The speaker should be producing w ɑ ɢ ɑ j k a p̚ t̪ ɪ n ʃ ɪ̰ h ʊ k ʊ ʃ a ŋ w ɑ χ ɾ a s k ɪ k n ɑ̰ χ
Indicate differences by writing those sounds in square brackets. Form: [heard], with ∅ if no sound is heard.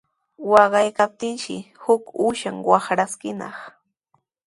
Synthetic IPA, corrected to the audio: w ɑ ɢ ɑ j k a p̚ t̪ ɪ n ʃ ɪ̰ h ʊ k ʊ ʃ a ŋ w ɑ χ ɾ a s k ɪ [∅] n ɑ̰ χ